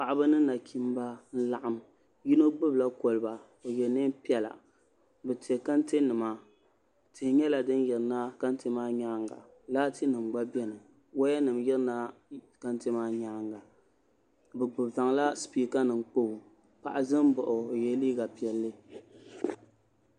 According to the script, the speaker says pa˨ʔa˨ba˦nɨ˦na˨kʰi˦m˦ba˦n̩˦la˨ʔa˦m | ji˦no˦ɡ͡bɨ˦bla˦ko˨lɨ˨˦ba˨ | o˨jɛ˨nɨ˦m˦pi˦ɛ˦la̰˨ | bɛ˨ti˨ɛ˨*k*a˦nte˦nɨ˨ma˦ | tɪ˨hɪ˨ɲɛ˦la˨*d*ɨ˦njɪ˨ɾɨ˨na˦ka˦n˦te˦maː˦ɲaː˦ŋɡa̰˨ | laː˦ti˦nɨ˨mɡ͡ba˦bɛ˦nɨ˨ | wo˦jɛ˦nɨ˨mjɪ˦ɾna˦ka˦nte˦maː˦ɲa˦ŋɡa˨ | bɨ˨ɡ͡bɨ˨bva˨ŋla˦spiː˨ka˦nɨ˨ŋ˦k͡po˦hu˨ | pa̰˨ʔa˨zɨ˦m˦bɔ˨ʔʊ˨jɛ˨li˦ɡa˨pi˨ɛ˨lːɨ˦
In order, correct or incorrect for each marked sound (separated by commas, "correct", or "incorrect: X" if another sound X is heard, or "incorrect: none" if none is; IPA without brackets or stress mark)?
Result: correct, correct